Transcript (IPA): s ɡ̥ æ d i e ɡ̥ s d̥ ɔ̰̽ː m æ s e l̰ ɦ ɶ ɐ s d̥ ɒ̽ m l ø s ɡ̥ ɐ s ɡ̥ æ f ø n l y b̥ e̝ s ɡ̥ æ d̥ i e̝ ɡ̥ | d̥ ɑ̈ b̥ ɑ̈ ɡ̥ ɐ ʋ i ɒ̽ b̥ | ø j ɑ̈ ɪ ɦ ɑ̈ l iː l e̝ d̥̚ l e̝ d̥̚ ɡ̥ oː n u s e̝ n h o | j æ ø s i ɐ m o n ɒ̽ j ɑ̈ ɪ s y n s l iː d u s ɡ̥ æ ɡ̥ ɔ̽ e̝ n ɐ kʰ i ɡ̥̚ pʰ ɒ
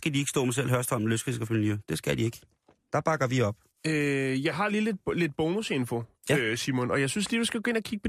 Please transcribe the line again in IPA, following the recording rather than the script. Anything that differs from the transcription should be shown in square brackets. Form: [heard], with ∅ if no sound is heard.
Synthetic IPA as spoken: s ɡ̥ æ d i e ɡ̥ s d̥ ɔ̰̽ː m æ s e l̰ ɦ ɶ ɐ s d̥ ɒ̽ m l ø s ɡ̥ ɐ s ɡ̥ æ f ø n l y [d̥] e̝ s ɡ̥ æ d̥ i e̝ ɡ̥ | d̥ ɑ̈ b̥ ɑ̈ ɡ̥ ɐ ʋ i ɒ̽ b̥ | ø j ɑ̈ ɪ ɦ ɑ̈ l iː l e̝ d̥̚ l e̝ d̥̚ [b̥] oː n u s e̝ n [f] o | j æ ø s i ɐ m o n ɒ̽ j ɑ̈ ɪ s y n s l iː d u s ɡ̥ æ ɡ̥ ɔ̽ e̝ n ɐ kʰ i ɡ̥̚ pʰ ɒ